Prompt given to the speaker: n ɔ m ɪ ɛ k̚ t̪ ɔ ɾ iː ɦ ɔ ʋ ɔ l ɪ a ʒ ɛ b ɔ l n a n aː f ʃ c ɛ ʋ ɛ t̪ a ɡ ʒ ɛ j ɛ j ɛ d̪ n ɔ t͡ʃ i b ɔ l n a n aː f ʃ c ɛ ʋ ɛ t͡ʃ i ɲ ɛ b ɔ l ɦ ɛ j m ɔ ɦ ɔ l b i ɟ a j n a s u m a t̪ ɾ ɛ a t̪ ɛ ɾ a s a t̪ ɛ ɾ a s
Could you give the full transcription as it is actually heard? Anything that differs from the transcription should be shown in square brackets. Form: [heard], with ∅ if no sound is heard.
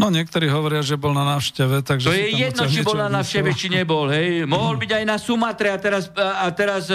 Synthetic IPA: n ɔ [ɲ] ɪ ɛ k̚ t̪ ɔ ɾ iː ɦ ɔ ʋ ɔ [ɾ] ɪ a ʒ ɛ b ɔ l n a n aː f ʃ c ɛ ʋ ɛ t̪ a ɡ ʒ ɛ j ɛ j ɛ d̪ n ɔ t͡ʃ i b ɔ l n a n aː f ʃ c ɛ ʋ ɛ t͡ʃ i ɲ ɛ b ɔ l ɦ ɛ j m ɔ ɦ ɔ l b i ɟ a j n a s u m a t̪ ɾ ɛ a t̪ ɛ ɾ a s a t̪ ɛ ɾ a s